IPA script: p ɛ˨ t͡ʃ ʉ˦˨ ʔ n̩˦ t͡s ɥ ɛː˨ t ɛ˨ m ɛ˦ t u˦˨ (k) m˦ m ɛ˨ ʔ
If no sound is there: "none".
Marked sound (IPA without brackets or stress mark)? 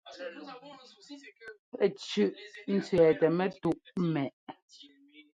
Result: ʔ